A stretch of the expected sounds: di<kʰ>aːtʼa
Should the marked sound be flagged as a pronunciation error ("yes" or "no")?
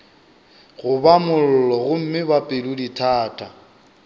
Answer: yes